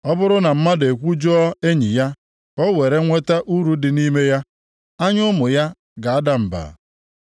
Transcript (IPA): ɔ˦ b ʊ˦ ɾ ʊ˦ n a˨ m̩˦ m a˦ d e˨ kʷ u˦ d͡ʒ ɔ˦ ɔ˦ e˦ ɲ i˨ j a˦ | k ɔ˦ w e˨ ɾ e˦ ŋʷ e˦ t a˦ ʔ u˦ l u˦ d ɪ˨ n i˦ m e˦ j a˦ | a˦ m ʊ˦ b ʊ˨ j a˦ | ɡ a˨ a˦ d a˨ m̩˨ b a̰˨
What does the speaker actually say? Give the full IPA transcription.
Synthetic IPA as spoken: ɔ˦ b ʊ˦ ɾ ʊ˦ n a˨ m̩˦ m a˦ d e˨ kʷ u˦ d͡ʒ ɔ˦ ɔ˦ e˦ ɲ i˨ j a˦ | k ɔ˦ w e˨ ɾ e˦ ŋʷ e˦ t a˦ ʔ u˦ ɾ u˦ d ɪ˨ n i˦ m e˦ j a˦ | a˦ ɲ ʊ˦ m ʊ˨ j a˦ | ɡ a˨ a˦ d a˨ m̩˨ b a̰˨